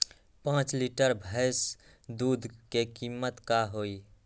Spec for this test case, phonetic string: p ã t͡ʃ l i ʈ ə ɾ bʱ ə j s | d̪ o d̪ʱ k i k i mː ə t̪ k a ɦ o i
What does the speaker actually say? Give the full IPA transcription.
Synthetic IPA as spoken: p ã t͡ʃ l i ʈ ə ɾ bʱ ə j s | d̪ u d̪ʱ k e k i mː ə t̪ k a ɦ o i